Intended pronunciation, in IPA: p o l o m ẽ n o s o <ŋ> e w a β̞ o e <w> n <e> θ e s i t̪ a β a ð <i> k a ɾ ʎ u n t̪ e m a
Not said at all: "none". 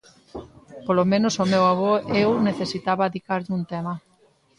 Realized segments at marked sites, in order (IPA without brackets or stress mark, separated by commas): m, w, e, i